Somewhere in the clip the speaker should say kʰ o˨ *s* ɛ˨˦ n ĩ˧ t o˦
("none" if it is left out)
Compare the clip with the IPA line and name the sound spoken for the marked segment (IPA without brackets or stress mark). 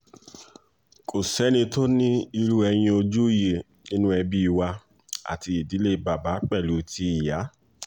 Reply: s